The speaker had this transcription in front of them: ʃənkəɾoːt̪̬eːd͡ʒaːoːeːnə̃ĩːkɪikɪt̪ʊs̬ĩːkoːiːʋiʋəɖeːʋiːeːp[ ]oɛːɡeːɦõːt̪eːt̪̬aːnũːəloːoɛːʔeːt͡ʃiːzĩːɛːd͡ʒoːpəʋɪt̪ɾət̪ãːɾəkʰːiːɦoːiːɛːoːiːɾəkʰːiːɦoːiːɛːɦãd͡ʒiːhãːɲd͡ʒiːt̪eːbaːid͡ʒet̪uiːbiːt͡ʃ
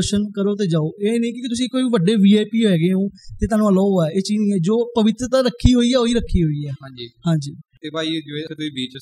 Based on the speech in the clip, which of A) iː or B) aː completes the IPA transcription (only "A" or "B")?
A